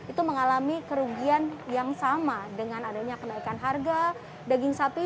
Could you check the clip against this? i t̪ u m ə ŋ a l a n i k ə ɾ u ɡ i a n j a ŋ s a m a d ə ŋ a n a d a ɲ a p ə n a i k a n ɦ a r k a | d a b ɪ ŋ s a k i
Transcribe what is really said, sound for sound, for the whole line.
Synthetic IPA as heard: i t̪ u m ə ŋ a l a m i k ə ɾ u ɡ i a n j a ŋ s a m a d ə ŋ a n a d a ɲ a k ə n a i k a n ɦ a r ɡ a | d a ɡ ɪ ŋ s a p i